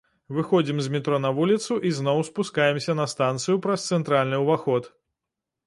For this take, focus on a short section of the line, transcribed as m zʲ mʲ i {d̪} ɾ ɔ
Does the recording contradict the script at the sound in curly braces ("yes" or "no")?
yes